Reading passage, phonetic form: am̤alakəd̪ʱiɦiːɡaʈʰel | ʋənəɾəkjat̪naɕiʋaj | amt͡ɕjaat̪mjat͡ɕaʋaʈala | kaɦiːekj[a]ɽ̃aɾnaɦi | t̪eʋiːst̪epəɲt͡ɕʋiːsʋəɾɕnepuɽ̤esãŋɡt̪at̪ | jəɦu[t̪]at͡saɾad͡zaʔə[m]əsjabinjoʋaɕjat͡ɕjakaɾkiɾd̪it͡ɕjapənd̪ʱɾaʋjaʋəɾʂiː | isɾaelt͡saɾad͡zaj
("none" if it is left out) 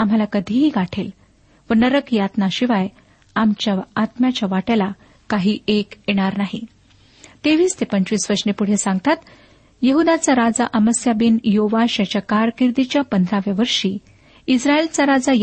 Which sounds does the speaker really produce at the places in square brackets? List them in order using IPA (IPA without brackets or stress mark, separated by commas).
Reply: e, d̪, m